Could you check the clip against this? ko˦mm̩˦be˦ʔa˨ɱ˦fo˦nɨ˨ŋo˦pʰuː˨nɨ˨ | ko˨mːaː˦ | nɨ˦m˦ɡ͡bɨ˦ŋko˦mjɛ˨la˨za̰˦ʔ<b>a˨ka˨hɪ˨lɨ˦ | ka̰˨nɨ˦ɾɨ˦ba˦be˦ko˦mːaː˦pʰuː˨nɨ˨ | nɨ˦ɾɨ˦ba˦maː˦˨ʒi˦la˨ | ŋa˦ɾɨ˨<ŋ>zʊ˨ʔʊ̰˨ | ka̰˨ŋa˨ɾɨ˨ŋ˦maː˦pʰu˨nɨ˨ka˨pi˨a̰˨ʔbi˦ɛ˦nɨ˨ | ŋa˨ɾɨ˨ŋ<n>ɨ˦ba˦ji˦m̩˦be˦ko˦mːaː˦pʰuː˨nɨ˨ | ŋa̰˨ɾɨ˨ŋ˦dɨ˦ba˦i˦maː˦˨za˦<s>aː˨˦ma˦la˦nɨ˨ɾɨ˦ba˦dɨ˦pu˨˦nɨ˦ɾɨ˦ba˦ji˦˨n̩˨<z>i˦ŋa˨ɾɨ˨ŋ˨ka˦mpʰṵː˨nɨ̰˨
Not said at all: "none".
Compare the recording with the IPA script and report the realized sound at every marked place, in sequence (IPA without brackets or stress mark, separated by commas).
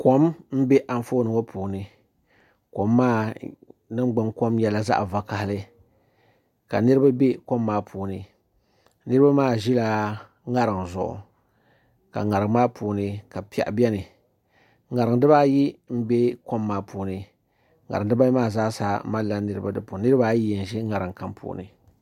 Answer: v, ŋ, d, s, ʒ